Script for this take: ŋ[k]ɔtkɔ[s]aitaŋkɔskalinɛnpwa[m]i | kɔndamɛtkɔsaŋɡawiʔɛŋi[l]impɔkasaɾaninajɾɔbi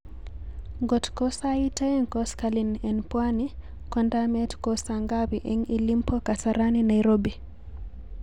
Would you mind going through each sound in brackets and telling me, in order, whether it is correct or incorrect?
incorrect, correct, incorrect, correct

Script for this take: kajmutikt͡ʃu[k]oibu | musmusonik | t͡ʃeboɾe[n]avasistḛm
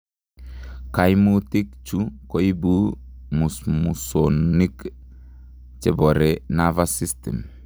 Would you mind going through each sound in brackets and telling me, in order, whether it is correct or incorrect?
correct, correct

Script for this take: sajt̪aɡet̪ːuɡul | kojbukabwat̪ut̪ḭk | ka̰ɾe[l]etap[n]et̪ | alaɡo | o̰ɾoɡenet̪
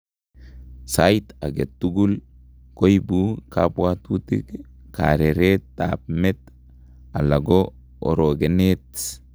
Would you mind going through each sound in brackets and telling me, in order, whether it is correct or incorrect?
incorrect, incorrect

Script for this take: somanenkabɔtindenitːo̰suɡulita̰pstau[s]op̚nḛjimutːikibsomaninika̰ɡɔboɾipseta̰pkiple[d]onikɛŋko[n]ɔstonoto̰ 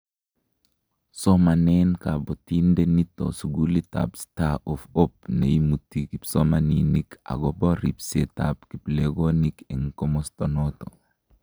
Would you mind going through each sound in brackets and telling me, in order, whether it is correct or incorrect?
incorrect, incorrect, incorrect

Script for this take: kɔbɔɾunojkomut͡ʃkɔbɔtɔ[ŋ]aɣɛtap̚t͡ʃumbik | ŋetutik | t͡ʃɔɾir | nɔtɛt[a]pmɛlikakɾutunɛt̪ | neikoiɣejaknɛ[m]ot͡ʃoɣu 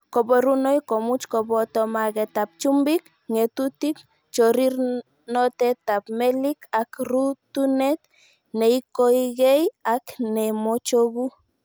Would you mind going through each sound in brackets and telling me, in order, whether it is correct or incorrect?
incorrect, correct, correct

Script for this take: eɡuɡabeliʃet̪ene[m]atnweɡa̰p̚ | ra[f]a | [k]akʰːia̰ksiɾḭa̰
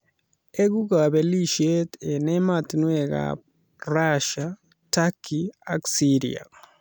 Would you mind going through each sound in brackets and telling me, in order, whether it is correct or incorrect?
correct, incorrect, incorrect

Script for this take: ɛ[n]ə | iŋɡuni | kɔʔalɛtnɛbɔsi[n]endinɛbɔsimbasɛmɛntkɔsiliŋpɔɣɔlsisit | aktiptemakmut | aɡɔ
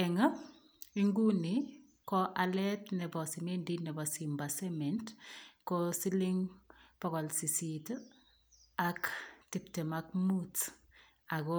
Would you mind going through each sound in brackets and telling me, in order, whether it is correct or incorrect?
incorrect, incorrect

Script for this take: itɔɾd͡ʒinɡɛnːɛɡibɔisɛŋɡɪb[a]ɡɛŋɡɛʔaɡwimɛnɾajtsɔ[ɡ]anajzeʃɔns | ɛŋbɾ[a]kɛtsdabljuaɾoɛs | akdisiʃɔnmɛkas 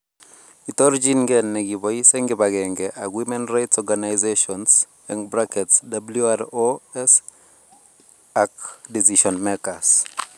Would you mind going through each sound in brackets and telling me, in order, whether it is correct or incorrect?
correct, correct, correct

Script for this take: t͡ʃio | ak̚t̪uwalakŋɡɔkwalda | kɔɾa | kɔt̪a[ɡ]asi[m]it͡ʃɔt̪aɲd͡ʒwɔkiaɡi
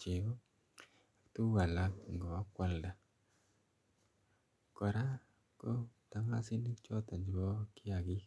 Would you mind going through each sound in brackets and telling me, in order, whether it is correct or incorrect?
incorrect, incorrect

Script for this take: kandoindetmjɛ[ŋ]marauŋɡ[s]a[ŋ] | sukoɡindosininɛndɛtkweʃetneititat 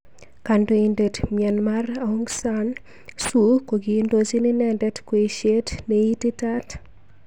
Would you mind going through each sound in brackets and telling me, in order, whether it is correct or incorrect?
incorrect, correct, incorrect

